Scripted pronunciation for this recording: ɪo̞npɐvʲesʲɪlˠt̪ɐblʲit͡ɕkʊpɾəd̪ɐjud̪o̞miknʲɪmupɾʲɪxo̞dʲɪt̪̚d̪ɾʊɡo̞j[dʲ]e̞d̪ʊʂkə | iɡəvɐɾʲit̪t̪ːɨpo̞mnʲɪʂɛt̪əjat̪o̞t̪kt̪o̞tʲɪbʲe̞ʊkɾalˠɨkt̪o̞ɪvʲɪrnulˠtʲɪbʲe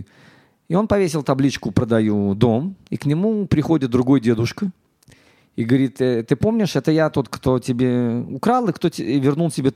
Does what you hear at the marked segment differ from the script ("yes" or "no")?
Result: no